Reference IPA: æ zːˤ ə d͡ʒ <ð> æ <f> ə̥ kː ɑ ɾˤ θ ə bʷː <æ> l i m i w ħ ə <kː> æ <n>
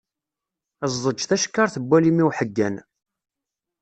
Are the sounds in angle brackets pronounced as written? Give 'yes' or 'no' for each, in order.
no, no, yes, no, yes

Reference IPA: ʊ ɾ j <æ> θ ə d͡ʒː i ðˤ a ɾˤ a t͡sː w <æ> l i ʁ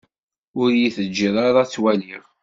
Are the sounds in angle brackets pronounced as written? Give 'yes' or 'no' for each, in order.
no, yes

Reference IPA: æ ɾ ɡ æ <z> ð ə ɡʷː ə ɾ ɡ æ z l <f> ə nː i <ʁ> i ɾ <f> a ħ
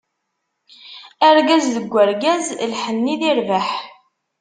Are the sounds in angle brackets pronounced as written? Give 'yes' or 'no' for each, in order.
yes, no, no, no

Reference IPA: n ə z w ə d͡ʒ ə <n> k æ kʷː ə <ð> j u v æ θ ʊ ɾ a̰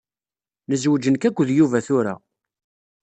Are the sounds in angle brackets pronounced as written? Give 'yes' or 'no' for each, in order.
yes, yes

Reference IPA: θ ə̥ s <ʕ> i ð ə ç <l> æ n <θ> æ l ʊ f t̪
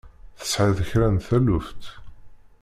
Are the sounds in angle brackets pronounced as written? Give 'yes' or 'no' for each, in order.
yes, no, yes

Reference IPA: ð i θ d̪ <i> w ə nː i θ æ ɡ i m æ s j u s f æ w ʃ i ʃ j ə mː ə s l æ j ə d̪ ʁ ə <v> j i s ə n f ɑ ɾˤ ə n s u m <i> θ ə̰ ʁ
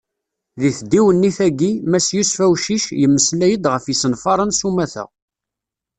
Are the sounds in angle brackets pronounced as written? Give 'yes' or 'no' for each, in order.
yes, no, no

